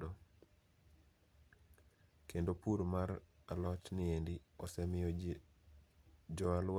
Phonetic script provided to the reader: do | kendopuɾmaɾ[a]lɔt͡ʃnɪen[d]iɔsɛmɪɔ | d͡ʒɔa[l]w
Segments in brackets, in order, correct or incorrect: correct, correct, correct

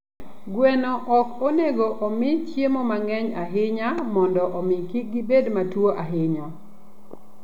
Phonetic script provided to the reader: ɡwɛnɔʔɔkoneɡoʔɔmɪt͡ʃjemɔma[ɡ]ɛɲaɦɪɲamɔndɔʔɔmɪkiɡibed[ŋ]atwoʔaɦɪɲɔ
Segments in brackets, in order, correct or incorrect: incorrect, incorrect

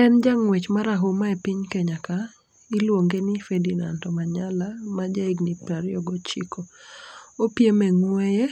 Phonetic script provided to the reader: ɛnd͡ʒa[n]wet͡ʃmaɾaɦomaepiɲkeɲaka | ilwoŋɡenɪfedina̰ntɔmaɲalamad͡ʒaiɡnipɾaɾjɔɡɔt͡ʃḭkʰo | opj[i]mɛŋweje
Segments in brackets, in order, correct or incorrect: incorrect, incorrect

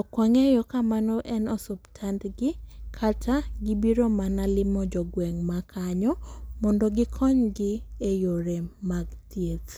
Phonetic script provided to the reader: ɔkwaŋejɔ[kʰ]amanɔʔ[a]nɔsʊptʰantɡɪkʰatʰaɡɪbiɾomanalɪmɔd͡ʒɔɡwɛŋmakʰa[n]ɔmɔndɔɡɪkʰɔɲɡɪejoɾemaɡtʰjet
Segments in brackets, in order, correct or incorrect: incorrect, incorrect, incorrect

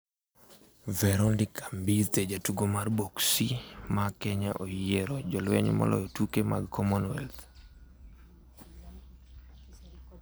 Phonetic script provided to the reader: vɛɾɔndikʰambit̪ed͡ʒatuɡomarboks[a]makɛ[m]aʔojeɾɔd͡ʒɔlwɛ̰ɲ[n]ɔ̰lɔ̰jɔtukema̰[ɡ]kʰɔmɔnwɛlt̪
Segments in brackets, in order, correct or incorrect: incorrect, incorrect, incorrect, correct

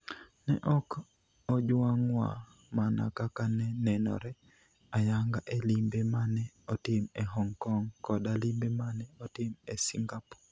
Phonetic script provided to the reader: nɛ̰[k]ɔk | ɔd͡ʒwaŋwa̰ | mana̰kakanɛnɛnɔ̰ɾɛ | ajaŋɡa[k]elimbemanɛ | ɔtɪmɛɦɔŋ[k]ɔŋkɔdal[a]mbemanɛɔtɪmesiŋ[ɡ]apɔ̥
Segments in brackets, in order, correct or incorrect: incorrect, incorrect, correct, incorrect, correct

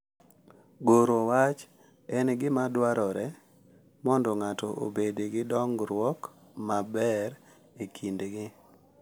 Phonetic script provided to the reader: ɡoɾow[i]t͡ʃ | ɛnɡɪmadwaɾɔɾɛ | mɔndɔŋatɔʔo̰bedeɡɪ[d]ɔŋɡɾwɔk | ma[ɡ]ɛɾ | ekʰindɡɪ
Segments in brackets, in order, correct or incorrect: incorrect, correct, incorrect

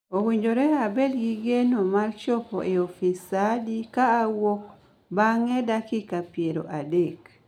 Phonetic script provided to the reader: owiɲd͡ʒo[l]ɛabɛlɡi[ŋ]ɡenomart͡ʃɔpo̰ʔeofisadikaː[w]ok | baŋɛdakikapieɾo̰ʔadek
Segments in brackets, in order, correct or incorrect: incorrect, incorrect, correct

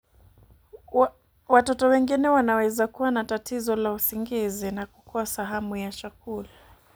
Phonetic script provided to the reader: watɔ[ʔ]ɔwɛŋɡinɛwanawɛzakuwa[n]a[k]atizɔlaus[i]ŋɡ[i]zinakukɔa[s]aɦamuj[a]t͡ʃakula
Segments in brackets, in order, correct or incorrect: incorrect, correct, incorrect, correct, correct, correct, correct

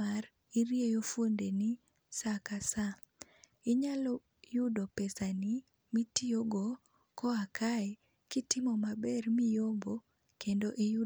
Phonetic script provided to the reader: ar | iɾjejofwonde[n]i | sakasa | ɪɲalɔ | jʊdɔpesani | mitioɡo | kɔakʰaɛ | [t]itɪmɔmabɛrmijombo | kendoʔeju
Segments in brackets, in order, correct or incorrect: correct, incorrect

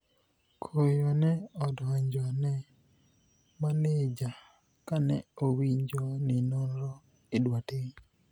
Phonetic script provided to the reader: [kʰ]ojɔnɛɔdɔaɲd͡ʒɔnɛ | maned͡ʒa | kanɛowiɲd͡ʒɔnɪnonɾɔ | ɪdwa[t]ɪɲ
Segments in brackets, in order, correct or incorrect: correct, correct

